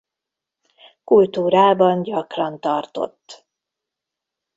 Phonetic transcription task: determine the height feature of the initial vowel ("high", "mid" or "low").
high